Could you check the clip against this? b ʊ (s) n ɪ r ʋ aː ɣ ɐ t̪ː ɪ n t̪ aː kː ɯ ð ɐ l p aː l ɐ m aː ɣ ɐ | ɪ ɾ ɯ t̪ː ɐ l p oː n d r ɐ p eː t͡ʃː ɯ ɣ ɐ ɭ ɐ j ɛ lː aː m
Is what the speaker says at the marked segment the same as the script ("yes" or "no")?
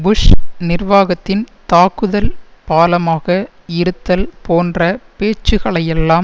no